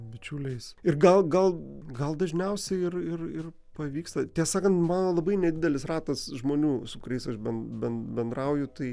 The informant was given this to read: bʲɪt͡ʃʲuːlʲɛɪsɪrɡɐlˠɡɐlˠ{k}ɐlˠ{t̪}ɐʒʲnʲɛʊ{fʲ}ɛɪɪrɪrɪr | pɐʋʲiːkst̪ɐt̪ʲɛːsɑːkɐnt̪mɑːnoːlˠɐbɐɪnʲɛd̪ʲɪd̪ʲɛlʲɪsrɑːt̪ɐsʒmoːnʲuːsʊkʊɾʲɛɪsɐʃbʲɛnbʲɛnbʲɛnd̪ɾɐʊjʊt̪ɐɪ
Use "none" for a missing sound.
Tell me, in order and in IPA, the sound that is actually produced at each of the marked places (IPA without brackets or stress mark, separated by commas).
ɡ, d̪, sʲ